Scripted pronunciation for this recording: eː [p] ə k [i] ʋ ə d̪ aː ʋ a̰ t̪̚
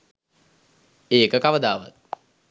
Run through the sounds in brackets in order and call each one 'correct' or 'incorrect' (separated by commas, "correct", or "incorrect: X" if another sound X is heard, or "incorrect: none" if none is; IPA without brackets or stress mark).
incorrect: k, incorrect: a